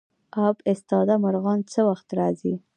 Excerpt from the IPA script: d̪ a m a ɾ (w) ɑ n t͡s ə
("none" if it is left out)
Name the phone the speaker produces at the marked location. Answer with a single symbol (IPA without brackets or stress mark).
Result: ɣ